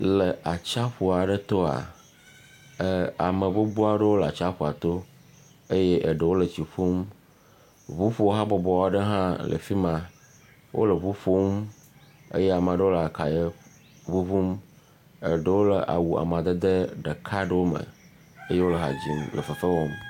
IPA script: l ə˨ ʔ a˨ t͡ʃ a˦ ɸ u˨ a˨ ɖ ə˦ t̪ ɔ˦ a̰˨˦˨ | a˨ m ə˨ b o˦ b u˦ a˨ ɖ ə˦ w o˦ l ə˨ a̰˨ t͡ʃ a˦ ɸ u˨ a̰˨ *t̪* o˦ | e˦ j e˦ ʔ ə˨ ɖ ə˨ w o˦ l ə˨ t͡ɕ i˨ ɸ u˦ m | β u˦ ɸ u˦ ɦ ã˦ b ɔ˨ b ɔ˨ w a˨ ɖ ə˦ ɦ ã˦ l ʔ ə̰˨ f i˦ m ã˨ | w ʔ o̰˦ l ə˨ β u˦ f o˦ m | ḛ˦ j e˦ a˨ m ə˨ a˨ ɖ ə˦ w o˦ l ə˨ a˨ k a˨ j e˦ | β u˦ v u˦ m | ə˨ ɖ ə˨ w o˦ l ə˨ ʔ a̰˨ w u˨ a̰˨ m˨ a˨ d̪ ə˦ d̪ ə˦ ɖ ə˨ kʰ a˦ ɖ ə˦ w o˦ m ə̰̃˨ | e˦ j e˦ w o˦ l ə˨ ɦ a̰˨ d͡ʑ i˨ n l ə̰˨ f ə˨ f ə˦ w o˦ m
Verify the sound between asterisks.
correct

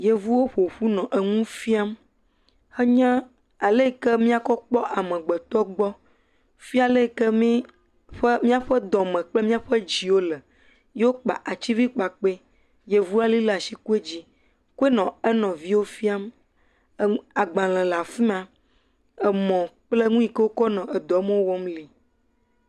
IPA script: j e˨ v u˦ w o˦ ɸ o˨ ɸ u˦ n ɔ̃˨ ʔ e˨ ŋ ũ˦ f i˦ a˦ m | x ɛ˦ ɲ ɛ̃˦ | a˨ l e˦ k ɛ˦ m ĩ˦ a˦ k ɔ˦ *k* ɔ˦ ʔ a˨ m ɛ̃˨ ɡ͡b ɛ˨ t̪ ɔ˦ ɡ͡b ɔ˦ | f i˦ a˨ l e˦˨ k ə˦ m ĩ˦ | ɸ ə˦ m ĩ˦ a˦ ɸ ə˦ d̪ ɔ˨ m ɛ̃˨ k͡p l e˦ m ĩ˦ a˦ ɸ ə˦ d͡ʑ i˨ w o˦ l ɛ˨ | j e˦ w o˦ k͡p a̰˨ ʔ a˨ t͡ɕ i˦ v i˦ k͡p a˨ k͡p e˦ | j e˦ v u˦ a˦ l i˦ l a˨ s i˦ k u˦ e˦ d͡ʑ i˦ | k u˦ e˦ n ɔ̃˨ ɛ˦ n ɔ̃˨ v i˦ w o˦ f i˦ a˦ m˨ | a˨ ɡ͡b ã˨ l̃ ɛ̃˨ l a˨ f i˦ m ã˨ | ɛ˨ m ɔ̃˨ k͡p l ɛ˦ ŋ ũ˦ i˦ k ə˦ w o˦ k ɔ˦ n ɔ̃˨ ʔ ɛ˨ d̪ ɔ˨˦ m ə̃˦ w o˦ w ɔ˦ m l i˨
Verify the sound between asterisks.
incorrect: k͡p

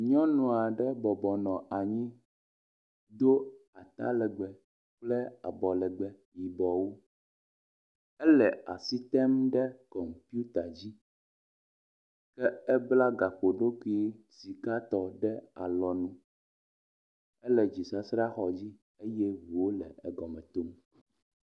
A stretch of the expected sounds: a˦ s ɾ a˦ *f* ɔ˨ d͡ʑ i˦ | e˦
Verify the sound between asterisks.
incorrect: x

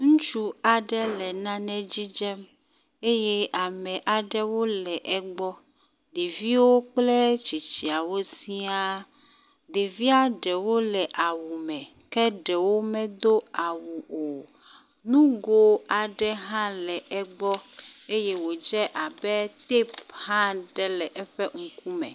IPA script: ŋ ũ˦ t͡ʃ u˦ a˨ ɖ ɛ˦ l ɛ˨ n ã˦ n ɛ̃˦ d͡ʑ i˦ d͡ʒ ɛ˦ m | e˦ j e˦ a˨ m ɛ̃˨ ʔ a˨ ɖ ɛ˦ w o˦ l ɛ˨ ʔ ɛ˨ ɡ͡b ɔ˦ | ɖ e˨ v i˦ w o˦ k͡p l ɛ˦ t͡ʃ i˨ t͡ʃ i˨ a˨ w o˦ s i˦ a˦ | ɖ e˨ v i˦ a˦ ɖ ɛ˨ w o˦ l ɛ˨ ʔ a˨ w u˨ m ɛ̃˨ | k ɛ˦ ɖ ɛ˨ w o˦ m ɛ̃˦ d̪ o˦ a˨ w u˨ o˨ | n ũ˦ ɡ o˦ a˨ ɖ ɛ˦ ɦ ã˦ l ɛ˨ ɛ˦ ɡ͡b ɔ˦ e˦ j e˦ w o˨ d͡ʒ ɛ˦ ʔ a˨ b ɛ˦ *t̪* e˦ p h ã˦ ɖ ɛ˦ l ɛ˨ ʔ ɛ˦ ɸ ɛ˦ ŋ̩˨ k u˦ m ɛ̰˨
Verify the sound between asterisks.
correct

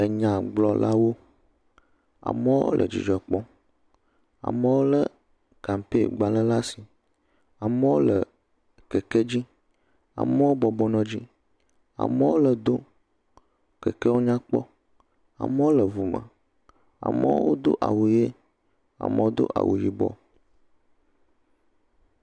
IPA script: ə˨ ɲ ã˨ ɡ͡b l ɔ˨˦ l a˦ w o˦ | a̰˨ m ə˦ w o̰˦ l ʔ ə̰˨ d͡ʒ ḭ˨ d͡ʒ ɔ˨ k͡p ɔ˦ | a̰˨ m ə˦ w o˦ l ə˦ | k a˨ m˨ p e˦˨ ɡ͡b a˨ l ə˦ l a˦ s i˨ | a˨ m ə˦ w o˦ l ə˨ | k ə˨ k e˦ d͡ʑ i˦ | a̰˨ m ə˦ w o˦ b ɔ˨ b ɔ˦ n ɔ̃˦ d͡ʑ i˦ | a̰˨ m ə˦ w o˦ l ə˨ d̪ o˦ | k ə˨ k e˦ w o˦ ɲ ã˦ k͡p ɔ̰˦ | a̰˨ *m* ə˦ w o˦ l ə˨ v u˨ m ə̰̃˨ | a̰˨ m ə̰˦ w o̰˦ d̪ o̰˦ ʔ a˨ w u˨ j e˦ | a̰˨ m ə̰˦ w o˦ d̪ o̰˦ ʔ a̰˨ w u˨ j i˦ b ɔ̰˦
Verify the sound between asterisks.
correct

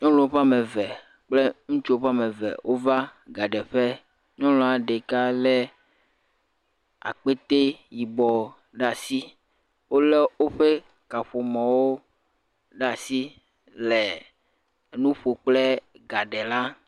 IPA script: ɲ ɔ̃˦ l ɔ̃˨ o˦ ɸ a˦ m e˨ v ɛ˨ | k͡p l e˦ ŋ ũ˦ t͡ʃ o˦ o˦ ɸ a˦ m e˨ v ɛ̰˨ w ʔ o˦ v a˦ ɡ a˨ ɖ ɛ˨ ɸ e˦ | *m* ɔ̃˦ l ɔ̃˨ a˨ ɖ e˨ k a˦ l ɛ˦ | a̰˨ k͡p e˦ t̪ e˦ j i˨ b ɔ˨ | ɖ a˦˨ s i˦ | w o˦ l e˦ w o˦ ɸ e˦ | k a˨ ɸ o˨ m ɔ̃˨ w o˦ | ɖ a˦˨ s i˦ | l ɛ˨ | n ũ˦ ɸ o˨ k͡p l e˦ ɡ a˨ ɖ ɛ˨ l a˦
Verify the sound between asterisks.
incorrect: ɲ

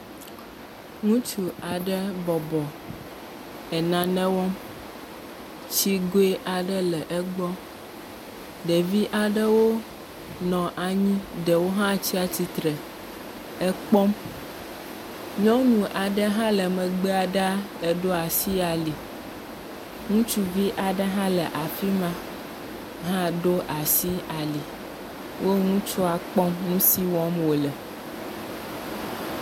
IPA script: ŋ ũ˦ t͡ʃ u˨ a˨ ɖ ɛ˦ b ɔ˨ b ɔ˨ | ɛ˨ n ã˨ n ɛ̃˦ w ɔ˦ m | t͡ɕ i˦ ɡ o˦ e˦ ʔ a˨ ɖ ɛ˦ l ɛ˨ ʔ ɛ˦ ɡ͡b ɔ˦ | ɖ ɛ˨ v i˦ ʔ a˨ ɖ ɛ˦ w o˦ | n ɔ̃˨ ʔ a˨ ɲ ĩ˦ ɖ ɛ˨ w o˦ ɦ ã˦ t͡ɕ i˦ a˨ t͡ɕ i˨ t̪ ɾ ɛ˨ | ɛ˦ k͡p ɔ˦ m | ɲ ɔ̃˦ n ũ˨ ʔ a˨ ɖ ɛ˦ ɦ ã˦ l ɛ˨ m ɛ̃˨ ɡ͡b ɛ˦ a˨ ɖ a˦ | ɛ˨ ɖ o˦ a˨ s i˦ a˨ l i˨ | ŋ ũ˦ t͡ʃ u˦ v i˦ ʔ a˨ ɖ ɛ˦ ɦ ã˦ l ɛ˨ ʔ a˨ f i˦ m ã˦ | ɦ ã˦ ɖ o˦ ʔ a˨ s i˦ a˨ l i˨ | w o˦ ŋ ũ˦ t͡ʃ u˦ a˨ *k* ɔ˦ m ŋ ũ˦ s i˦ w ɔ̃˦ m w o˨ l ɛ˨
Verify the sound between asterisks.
incorrect: k͡p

